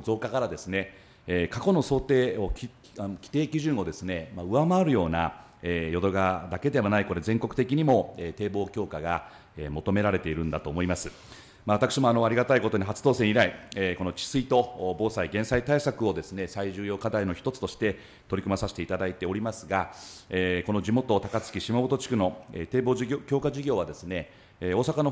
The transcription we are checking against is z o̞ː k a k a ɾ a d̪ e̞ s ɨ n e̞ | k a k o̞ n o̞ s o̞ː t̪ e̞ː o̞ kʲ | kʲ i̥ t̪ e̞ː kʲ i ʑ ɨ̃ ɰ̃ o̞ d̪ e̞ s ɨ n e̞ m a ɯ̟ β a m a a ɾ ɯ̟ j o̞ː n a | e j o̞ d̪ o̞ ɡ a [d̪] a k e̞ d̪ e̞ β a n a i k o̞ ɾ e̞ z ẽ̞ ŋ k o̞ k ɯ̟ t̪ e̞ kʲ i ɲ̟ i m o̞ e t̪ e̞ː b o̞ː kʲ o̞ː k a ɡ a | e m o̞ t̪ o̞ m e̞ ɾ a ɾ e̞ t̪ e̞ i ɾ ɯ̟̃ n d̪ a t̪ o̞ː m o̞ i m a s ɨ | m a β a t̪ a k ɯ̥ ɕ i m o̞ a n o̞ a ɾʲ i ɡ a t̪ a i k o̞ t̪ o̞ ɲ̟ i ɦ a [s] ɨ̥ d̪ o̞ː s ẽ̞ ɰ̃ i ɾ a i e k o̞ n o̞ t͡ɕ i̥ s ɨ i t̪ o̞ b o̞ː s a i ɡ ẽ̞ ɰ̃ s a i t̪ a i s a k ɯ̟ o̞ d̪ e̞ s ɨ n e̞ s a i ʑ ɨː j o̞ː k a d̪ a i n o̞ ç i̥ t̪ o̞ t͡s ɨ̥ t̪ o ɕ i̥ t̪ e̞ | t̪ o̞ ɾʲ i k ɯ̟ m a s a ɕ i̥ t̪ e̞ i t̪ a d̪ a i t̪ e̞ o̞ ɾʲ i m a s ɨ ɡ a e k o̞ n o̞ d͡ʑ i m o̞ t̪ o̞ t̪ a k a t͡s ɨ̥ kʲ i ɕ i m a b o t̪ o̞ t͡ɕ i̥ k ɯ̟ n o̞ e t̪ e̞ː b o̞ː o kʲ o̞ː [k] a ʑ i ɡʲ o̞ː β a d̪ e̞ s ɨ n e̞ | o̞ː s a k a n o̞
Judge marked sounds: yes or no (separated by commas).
yes, no, yes